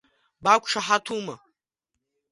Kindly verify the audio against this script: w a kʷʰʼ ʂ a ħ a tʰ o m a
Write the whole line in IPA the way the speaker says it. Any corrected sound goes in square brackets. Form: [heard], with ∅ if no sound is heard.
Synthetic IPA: [b] a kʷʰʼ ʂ a ħ a tʰ [u] m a

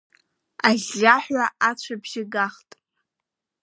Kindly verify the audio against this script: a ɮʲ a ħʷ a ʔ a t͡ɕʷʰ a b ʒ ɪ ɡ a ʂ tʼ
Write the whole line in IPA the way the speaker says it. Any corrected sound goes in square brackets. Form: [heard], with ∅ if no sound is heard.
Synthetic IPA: a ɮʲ a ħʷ a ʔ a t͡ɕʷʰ a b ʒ ɪ ɡ a [χ] tʼ

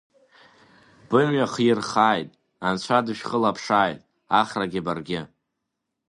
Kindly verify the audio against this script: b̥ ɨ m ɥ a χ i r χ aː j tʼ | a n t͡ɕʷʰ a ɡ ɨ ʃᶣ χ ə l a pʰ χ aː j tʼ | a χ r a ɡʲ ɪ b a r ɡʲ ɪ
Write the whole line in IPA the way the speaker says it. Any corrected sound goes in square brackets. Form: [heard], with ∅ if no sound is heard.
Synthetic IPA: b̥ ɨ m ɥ a χ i r χ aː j tʼ | a n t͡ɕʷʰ a [d] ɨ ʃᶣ χ ə l a pʰ [ʂ] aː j tʼ | a χ r a ɡʲ ɪ b a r ɡʲ ɪ

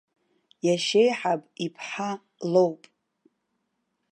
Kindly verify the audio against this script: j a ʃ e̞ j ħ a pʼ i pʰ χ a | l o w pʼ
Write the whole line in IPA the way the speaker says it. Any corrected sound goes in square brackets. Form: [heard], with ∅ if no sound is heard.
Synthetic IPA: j a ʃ e̞ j ħ a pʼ i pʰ [ħ] a | l o w pʼ

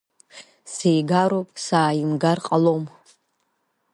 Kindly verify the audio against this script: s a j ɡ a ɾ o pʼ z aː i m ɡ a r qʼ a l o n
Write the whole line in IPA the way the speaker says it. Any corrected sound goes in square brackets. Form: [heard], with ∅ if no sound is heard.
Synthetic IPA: s [e] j ɡ a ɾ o pʼ [s] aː i m ɡ a r qʼ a l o [m]

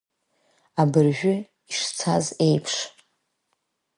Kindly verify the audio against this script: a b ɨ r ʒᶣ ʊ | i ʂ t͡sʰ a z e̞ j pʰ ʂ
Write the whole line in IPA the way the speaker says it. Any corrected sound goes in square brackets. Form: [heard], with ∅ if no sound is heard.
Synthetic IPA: a b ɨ r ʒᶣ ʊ | i ʂ t͡sʰ a z e̞ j pʰ ʂ

